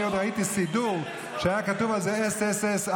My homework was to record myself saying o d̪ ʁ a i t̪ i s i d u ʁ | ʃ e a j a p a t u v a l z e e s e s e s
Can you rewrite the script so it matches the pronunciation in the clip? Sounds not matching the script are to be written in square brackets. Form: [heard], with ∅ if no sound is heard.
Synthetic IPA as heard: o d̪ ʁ a i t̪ i s i d u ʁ | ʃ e a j a [k] a t u v a l z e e s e s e s